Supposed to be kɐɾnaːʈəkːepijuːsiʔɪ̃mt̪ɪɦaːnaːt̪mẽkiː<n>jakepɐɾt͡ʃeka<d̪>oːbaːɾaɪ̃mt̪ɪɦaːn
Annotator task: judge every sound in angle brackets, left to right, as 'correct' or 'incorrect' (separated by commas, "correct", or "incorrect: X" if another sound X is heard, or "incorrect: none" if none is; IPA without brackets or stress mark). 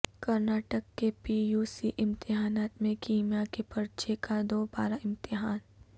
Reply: incorrect: m, correct